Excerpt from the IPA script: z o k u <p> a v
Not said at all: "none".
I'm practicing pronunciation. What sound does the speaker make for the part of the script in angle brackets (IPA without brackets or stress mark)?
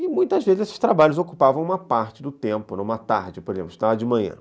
p